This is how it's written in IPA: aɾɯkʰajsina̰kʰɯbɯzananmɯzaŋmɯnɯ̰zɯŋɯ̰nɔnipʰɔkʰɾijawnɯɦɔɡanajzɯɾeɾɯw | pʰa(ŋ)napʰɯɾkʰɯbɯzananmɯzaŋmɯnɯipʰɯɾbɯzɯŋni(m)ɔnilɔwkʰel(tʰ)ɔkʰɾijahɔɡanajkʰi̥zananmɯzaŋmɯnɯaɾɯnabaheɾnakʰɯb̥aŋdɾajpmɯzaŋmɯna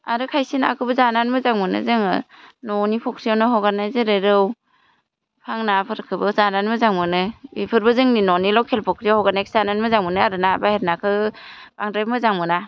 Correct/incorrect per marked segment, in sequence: correct, incorrect, incorrect

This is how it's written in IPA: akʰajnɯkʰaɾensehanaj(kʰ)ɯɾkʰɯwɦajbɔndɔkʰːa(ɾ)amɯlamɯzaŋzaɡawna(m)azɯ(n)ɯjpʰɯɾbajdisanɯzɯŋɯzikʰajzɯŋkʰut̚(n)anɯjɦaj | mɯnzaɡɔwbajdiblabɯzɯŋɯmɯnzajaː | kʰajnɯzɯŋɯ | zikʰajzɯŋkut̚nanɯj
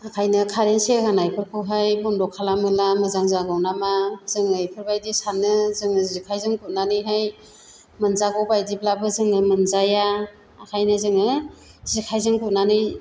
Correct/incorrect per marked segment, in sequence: incorrect, incorrect, correct, incorrect, correct

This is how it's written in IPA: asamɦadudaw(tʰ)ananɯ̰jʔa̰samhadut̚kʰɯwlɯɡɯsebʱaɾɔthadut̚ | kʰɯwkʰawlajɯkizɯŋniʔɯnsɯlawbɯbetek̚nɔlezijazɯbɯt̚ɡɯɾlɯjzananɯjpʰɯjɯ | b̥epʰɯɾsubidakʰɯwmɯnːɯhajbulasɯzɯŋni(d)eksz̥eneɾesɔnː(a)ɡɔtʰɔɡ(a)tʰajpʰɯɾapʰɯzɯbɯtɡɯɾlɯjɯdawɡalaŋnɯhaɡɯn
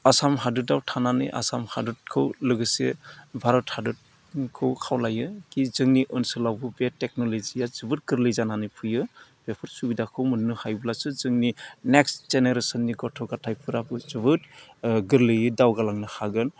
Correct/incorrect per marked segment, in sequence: correct, incorrect, incorrect, correct

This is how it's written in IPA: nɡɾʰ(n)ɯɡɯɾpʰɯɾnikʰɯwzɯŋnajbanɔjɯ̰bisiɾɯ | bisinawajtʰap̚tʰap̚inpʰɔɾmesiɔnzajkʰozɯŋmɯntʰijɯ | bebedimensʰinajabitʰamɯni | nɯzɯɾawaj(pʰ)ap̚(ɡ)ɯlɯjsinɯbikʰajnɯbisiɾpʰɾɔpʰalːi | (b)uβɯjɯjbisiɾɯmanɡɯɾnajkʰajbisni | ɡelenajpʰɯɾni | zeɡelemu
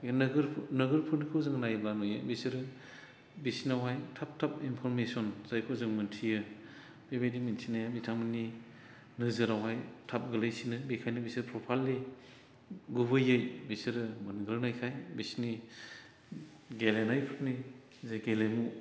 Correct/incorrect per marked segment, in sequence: correct, incorrect, correct, incorrect

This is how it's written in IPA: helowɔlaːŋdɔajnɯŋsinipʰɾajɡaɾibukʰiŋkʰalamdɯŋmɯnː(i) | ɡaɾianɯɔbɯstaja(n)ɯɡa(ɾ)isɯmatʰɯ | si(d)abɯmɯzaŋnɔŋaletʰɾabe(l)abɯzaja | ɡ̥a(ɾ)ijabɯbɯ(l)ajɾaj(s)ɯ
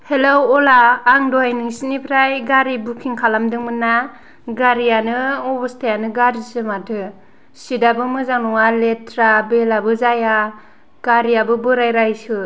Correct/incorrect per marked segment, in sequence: incorrect, correct, correct, correct, correct, correct, incorrect, correct

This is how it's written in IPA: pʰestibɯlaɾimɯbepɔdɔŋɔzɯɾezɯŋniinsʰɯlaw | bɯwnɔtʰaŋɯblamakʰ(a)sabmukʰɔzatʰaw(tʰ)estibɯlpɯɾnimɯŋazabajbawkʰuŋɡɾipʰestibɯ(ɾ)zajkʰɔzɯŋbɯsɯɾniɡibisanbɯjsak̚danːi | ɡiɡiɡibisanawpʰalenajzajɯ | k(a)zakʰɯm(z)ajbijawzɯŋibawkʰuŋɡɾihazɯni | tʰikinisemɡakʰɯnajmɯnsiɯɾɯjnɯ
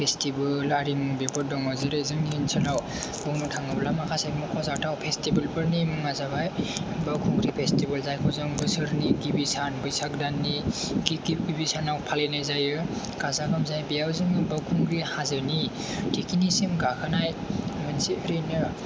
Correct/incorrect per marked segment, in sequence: correct, incorrect, incorrect, correct, correct

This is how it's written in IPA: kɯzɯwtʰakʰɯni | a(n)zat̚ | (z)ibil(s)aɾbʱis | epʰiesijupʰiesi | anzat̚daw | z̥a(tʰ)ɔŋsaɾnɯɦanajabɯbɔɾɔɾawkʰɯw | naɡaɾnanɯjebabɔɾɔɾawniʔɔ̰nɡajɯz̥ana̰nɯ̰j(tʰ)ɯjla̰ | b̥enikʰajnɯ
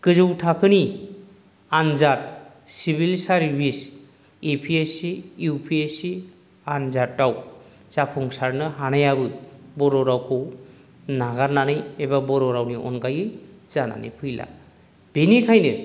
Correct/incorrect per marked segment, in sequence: correct, incorrect, correct, incorrect, incorrect

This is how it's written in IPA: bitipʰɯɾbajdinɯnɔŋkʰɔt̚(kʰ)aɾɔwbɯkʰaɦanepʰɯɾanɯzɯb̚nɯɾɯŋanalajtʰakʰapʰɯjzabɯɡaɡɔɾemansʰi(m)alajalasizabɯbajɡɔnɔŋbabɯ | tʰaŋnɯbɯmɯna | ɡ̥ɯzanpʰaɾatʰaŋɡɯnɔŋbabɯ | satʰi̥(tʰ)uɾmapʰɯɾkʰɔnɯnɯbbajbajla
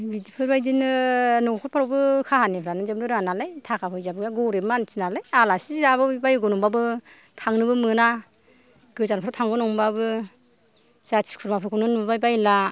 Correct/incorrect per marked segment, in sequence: incorrect, incorrect, incorrect

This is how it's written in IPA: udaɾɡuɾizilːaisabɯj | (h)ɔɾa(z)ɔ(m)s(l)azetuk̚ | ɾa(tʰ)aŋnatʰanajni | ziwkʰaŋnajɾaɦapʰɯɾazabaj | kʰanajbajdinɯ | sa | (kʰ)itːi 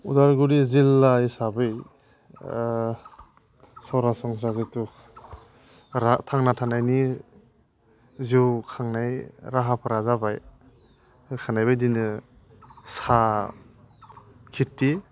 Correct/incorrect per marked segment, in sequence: incorrect, incorrect, incorrect, incorrect, correct, correct

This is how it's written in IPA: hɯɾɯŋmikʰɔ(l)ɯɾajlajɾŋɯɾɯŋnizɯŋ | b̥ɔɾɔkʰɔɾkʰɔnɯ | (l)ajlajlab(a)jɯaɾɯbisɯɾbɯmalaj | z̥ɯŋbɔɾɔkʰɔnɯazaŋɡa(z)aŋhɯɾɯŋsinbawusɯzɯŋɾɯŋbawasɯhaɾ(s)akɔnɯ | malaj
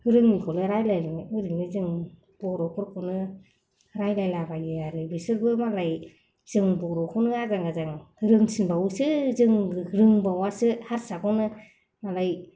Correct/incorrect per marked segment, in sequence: correct, incorrect, correct, correct, correct

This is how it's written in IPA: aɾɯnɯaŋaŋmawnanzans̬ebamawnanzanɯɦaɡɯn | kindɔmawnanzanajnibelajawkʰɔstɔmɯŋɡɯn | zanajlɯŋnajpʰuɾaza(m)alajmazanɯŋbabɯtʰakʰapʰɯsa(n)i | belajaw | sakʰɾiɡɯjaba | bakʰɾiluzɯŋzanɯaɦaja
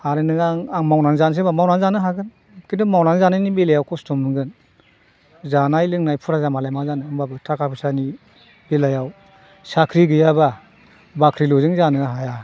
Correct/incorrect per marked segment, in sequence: correct, correct

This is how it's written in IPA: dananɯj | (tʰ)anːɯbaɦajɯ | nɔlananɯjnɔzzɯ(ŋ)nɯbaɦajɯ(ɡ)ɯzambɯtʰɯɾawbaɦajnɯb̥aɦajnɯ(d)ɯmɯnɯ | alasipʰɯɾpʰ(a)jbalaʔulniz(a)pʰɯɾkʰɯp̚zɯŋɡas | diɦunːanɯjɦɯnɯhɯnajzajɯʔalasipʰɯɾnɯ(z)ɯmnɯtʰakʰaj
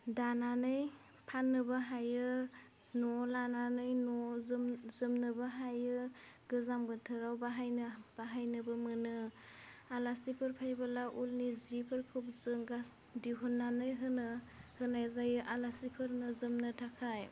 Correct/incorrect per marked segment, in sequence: incorrect, incorrect, correct, incorrect, correct, incorrect, correct

